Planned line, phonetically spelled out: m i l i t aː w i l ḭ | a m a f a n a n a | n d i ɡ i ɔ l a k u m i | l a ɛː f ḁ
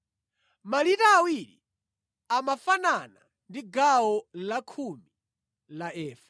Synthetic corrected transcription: m a l i t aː w i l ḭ | a m a f a n a n a | n d i ɡ a ɔ l a kʰ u m i | l a ɛː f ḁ